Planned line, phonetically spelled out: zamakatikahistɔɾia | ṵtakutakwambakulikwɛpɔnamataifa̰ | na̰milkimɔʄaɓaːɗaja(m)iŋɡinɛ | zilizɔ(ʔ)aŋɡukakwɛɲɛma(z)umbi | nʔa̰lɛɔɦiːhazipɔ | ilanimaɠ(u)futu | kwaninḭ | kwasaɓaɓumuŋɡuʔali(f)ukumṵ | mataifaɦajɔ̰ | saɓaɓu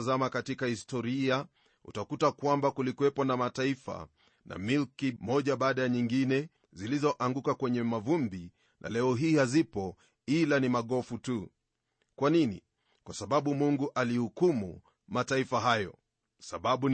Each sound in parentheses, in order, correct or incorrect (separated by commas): incorrect, correct, incorrect, incorrect, incorrect